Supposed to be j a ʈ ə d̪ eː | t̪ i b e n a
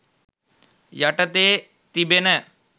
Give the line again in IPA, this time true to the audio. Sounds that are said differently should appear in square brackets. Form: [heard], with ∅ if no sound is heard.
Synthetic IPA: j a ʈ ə [t̪] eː | t̪ i b e n [ə]